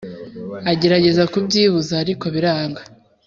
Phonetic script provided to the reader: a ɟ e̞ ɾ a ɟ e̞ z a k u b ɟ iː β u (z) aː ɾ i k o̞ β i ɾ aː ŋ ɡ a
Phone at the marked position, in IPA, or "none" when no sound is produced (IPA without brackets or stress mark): z